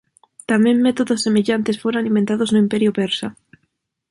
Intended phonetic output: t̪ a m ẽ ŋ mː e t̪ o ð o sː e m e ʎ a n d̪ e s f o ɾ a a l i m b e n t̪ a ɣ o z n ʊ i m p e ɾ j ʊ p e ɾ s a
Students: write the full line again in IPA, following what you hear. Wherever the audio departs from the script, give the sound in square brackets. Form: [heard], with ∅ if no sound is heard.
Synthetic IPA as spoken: t̪ a m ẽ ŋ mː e t̪ o ð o sː e m e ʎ a n [t̪] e s f o ɾ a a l i m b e n t̪ a [ð] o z n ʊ i m p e ɾ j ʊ p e ɾ s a